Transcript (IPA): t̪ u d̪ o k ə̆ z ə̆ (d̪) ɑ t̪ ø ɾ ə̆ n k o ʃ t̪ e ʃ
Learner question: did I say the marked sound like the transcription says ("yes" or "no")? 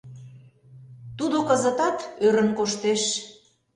no